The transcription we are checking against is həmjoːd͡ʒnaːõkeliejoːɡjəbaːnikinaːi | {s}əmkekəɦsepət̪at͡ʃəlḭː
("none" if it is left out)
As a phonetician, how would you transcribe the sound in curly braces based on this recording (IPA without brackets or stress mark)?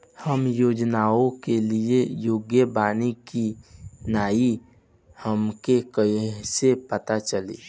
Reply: h